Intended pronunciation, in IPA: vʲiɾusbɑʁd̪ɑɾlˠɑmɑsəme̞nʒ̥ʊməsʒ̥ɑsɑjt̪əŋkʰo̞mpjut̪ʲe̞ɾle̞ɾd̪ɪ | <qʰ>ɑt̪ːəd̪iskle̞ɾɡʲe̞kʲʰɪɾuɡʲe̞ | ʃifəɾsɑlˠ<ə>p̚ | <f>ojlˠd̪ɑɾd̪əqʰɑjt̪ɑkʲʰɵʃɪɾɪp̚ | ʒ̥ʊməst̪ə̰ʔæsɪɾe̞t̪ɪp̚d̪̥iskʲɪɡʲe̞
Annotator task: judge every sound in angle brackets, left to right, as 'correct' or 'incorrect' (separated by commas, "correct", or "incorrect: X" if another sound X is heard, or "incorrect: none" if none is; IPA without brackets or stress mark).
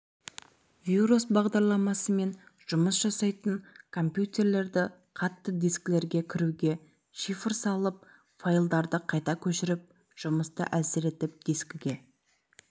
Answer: correct, correct, correct